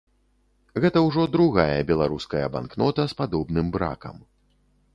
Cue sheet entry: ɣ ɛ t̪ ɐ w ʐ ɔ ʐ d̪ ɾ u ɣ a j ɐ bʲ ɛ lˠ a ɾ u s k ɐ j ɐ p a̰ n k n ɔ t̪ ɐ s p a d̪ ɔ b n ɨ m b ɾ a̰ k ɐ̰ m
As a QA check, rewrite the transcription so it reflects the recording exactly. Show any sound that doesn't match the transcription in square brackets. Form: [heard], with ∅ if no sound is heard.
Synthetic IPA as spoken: ɣ ɛ t̪ ɐ w ʐ ɔ [∅] d̪ ɾ u ɣ a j ɐ bʲ ɛ lˠ a ɾ u s k ɐ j ɐ [b] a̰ n k n ɔ t̪ ɐ s p a d̪ ɔ b n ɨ m b ɾ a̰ k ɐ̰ m